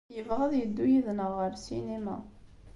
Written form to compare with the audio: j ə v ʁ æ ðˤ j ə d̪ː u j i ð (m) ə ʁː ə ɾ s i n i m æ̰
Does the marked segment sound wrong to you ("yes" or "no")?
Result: yes